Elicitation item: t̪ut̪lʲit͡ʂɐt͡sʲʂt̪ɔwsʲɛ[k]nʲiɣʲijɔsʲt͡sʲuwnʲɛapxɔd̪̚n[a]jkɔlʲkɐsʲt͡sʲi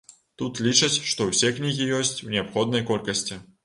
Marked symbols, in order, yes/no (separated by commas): yes, no